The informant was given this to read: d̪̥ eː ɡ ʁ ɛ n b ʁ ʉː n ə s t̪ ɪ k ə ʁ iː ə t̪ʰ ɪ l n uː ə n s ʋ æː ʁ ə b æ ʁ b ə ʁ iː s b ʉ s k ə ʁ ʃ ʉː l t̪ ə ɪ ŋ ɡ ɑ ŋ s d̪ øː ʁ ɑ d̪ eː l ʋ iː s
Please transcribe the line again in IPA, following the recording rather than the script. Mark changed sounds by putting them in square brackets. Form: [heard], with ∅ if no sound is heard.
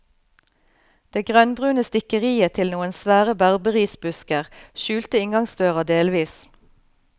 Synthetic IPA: d̪̥ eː ɡ ʁ [œ] n b ʁ ʉː n ə s t̪ ɪ k ə ʁ iː ə t̪ʰ ɪ l n uː ə n s ʋ æː ʁ ə b æ ʁ b ə ʁ iː s b ʉ s k ə ʁ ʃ ʉː l t̪ ə ɪ ŋ ɡ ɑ ŋ s d̪ øː ʁ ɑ d̪ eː l ʋ iː s